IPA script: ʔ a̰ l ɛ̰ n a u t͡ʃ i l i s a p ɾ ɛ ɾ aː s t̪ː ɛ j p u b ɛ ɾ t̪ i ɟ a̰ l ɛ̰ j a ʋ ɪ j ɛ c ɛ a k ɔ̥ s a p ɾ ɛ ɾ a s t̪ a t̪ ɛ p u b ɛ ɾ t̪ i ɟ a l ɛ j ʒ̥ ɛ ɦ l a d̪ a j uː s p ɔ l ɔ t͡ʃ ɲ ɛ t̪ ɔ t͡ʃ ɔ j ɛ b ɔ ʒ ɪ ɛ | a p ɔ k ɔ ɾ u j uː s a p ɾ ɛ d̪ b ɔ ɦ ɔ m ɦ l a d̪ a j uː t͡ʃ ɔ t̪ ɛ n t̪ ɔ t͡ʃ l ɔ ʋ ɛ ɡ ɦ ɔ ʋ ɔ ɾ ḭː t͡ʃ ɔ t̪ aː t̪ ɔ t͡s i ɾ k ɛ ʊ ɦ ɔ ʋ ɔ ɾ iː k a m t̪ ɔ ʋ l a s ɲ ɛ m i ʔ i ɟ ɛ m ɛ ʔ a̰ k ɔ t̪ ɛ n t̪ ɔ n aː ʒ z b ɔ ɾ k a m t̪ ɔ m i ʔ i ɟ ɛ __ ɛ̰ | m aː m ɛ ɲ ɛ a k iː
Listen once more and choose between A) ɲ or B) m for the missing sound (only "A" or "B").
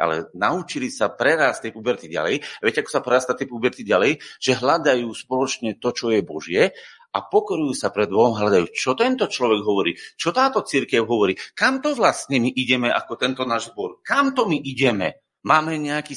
B